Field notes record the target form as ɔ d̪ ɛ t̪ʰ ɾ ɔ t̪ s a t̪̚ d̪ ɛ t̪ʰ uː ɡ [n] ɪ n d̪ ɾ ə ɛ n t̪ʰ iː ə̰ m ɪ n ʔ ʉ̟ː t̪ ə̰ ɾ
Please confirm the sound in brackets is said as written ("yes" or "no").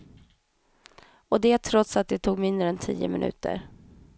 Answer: no